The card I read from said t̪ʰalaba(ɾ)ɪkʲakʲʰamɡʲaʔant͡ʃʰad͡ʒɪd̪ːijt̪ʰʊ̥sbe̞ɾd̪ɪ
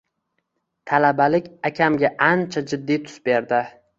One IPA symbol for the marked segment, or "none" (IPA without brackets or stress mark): l